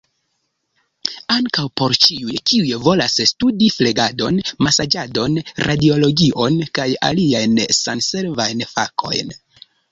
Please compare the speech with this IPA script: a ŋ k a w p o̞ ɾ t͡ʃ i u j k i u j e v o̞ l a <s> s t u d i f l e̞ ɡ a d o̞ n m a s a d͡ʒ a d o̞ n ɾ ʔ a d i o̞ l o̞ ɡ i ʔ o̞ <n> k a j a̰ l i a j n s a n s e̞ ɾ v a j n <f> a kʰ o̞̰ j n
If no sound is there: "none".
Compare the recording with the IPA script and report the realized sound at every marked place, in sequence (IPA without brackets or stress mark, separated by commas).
s, n, f